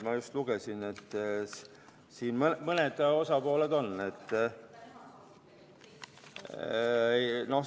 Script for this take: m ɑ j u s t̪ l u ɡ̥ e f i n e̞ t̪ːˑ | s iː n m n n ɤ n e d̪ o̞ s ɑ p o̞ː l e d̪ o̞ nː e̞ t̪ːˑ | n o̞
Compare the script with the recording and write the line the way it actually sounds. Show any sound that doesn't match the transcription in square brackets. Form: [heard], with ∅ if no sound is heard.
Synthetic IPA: m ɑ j u s t̪ l u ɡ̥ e [s] i n e̞ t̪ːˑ | s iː n m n [m] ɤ n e d̪ o̞ s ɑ p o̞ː l e d̪ o̞ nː e̞ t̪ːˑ | n o̞